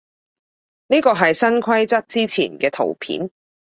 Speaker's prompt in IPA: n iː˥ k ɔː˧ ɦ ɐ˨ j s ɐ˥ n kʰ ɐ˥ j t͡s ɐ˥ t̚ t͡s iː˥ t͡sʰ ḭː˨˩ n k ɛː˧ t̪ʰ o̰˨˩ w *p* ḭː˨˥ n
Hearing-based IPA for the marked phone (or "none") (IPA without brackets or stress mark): pʰ